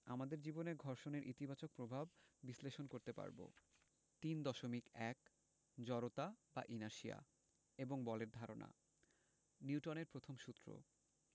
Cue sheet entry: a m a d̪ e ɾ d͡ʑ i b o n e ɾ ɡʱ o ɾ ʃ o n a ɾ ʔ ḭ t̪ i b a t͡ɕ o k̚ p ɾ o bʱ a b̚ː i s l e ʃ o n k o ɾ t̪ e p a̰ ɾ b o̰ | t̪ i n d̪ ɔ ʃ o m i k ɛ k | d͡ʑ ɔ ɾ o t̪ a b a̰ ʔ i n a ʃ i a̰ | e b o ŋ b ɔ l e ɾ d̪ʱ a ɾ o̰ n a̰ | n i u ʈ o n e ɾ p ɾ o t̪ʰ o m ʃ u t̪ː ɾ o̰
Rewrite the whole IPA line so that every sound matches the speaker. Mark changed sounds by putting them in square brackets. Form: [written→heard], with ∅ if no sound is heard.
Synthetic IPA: a m a d̪ e ɾ d͡ʑ i b o n e ɾ ɡʱ [o→ɔ] ɾ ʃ o n [a→e] ɾ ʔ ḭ t̪ i b a t͡ɕ o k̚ p ɾ o bʱ a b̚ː i s l e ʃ o n k o ɾ t̪ e p a̰ ɾ b o̰ | t̪ i n d̪ ɔ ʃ o m i k ɛ k | d͡ʑ ɔ ɾ o t̪ a b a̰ ʔ i n a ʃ i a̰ | e b o ŋ b ɔ l e ɾ d̪ʱ a ɾ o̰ n a̰ | n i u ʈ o n e ɾ p ɾ o t̪ʰ o m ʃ u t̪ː ɾ o̰